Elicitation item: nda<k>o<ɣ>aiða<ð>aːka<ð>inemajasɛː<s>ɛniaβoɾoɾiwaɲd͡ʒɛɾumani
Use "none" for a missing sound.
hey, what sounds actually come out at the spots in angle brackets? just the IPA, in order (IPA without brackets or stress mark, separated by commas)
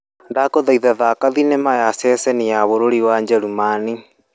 k, ð, ð, ð, s